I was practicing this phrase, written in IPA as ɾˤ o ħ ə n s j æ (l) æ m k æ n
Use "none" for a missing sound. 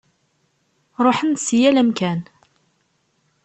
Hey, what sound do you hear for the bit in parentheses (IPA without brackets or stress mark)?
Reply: l